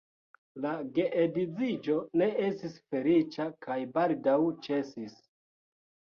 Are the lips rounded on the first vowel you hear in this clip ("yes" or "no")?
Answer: no